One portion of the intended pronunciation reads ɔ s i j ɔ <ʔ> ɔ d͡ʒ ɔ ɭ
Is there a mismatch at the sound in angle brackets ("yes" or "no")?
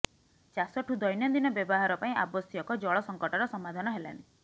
yes